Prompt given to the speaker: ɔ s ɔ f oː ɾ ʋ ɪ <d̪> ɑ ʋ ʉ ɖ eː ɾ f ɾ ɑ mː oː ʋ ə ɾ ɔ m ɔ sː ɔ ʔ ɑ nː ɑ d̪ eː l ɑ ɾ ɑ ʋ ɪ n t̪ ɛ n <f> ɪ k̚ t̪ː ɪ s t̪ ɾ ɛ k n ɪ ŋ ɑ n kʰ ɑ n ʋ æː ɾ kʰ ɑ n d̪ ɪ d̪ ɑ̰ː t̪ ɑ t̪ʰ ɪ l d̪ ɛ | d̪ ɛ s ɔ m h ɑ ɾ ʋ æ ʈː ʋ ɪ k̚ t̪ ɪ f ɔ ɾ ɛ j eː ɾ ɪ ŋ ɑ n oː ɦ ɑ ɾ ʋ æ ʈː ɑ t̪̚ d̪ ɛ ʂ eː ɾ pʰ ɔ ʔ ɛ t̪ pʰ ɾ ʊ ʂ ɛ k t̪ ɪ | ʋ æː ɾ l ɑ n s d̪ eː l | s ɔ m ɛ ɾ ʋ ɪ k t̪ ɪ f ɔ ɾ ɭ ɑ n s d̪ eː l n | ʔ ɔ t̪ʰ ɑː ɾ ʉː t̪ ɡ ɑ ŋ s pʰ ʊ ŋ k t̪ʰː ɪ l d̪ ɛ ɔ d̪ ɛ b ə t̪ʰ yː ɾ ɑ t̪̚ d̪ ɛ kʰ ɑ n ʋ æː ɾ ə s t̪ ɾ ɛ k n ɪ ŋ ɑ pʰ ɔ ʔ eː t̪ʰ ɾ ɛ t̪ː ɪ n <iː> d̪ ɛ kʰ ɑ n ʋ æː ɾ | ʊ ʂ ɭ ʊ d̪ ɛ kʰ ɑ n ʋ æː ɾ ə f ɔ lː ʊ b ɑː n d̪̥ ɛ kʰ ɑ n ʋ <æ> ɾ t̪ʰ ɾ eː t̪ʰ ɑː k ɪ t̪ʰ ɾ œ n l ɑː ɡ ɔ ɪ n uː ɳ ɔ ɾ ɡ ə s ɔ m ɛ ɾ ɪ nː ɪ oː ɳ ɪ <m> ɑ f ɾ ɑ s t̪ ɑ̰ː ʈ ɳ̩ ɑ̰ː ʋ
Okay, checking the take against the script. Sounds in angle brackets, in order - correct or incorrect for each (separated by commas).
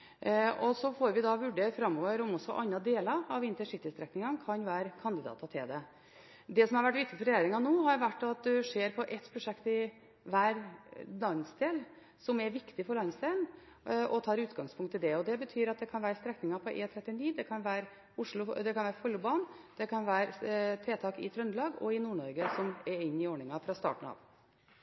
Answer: correct, incorrect, correct, incorrect, incorrect